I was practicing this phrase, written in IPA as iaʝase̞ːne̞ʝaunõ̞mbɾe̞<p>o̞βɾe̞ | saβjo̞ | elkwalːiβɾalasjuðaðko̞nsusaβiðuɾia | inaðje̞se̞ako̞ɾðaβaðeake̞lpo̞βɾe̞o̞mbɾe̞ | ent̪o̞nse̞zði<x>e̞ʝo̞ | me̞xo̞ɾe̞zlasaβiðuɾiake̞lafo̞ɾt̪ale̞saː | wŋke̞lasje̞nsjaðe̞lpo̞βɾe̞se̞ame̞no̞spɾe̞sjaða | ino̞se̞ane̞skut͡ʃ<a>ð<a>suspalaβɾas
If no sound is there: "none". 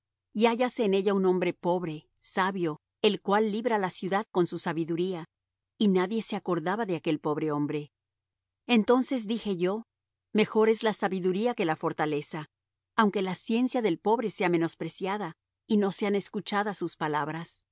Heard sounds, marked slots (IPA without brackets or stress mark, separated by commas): p, x, a, a